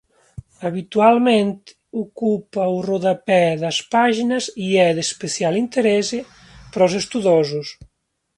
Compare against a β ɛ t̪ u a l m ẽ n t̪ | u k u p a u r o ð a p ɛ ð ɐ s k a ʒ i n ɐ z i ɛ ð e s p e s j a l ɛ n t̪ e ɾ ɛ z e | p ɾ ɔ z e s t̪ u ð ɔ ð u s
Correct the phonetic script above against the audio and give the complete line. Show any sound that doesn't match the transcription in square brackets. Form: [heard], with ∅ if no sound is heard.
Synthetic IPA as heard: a β [i] t̪ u a l m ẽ n t̪ | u k u p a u r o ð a p ɛ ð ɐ s [p] a ʒ i n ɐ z i ɛ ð e s p e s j a l [i] n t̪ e ɾ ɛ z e | p ɾ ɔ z e s t̪ u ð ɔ [z] u s